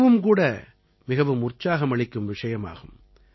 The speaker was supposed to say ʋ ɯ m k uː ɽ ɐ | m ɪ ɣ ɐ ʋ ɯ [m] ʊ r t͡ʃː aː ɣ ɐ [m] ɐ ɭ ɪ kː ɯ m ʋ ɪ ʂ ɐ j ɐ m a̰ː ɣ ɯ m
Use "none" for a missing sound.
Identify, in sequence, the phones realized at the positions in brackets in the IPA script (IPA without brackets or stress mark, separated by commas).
m, m